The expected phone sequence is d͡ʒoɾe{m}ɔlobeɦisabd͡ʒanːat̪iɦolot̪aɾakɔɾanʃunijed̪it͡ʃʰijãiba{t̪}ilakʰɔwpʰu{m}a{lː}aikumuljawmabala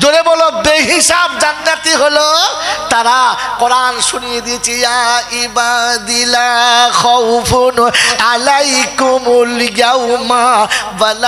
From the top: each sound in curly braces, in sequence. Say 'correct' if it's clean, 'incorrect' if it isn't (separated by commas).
incorrect, incorrect, incorrect, incorrect